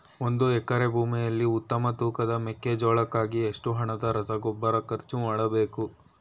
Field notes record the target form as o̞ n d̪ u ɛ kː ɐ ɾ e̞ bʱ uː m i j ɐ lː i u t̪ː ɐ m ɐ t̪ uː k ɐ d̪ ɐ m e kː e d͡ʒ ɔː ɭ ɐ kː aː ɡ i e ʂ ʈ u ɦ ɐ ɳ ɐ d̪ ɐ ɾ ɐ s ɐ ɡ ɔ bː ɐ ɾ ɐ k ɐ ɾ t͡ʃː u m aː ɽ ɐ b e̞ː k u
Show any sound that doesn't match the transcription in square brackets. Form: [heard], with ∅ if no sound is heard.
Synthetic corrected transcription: o̞ n d̪ u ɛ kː ɐ ɾ e̞ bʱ uː m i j ɐ lː i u t̪ː ɐ m ɐ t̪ uː k ɐ d̪ ɐ m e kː e d͡ʒ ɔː ɭ ɐ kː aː ɡ i e ʂ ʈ u ɦ ɐ ɳ ɐ d̪ ɐ ɾ ɐ s ɐ ɡ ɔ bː ɐ ɾ ɐ k ɐ ɾ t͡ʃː u m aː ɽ ɐ b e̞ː k u